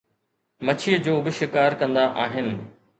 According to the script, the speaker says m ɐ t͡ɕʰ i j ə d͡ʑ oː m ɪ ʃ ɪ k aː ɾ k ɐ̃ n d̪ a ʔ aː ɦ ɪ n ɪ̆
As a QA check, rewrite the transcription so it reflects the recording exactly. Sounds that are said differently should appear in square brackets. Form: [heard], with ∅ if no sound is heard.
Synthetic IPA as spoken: m ɐ t͡ɕʰ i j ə d͡ʑ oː [b] ɪ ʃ ɪ k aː ɾ k ɐ̃ n d̪ a ʔ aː ɦ ɪ n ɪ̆